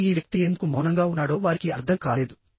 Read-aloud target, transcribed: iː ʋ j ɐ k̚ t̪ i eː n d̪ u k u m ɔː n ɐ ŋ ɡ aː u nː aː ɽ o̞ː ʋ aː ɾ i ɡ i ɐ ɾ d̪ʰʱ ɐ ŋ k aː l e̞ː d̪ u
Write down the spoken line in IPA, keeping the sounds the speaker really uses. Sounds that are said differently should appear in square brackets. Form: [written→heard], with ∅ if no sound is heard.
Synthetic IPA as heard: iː ʋ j ɐ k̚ t̪ i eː n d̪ u k u m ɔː n ɐ ŋ ɡ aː u nː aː ɽ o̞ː ʋ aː ɾ i [ɡ→k] i ɐ ɾ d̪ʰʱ ɐ ŋ k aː l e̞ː d̪ u